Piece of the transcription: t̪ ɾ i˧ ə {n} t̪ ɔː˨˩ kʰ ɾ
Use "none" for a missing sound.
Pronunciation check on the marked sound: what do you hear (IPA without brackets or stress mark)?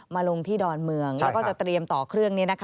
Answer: m